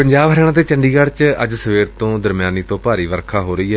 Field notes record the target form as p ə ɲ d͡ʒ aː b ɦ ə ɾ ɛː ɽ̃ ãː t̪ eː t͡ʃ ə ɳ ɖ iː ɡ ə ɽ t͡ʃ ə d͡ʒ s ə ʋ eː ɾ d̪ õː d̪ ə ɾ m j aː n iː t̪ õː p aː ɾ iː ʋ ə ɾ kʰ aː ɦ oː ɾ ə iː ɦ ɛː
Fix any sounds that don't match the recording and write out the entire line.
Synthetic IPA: p ə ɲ d͡ʒ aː b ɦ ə ɾ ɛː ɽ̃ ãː t̪ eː t͡ʃ ə ɳ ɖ iː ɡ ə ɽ t͡ʃ ə d͡ʒ s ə ʋ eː ɾ t̪ õː d̪ ə ɾ m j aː n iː t̪ õː p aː ɾ iː ʋ ə ɾ kʰ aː ɦ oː ɾ ə iː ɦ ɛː